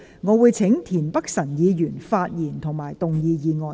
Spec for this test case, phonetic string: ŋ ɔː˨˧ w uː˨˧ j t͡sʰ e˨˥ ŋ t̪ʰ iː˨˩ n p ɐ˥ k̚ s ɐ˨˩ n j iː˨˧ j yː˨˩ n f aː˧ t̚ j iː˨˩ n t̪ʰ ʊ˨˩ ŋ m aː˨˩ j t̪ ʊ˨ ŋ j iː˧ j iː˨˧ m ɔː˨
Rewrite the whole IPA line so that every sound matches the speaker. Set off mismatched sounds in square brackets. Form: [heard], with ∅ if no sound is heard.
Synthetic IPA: ŋ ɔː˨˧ w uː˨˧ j t͡sʰ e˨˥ ŋ t̪ʰ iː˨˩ n p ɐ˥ k̚ s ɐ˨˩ n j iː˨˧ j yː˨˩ n f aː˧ t̚ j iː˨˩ n t̪ʰ ʊ˨˩ ŋ m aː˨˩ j t̪ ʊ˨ ŋ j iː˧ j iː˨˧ [ŋ] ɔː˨